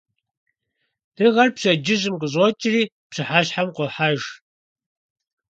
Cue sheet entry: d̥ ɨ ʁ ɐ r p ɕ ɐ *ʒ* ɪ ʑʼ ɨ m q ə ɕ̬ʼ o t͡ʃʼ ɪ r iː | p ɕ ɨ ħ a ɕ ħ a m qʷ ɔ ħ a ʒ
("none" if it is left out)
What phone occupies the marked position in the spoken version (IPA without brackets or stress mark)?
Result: d͡ʒ